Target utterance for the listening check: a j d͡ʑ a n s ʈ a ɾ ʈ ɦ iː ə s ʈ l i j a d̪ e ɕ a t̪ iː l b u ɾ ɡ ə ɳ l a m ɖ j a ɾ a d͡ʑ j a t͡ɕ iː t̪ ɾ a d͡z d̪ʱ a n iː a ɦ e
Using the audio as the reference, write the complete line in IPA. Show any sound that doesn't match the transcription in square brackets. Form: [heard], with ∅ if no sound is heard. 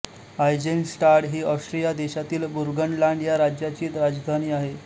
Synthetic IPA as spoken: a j d͡ʑ [e] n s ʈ a ɾ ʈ ɦ iː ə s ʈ [ɾ] i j a d̪ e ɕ a t̪ iː l b u ɾ ɡ ə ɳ l a [ɳ] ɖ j a ɾ a d͡ʑ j a t͡ɕ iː t̪ ɾ a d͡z d̪ʱ a n iː a ɦ e